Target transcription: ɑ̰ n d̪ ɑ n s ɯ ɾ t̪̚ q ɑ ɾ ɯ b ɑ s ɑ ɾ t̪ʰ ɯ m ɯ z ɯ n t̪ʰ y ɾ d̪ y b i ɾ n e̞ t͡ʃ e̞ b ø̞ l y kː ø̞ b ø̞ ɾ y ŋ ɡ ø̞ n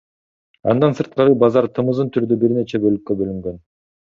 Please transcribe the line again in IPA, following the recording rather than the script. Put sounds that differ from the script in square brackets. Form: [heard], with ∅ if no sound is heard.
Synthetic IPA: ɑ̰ n d̪ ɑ n s ɯ ɾ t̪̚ q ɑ ɾ ɯ b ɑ [z] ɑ ɾ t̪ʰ ɯ m ɯ z ɯ n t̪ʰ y ɾ d̪ y b i ɾ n e̞ t͡ʃ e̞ b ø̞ l y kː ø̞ b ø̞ [l] y ŋ ɡ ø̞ n